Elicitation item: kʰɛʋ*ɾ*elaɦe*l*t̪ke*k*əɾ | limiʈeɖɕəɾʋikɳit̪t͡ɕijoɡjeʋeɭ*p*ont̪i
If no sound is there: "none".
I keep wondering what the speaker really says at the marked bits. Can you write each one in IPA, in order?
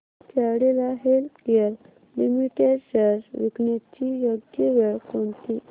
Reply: ɽ, l, none, k

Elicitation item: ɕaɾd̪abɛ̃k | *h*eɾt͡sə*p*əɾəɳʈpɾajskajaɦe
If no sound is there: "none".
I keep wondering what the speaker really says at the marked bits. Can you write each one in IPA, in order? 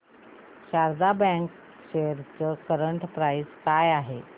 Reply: ɕ, k

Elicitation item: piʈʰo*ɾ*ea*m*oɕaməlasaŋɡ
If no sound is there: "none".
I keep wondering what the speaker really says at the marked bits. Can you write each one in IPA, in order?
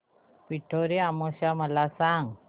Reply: ɾ, m

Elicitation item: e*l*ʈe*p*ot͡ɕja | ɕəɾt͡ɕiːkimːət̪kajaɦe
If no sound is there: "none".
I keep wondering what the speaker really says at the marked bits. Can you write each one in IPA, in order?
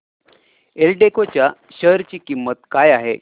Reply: l, k

